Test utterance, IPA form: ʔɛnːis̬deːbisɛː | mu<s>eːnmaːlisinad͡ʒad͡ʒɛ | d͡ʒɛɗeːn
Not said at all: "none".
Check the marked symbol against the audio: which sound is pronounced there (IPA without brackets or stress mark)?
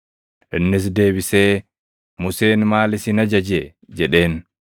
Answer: s